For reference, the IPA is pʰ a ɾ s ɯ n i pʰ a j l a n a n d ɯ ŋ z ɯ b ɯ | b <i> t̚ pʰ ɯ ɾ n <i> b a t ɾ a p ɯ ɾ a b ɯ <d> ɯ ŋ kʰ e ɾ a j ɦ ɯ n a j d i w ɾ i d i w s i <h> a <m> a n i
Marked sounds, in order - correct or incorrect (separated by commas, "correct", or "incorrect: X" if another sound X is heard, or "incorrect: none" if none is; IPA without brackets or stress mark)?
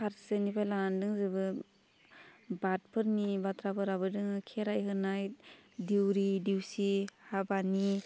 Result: incorrect: a, correct, correct, correct, incorrect: b